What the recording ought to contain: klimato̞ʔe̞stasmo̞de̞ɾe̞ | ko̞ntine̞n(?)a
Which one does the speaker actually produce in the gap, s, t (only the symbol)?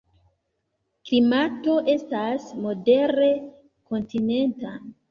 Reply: t